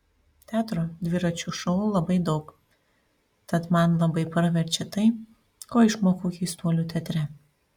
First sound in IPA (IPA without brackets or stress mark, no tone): t̪ʲ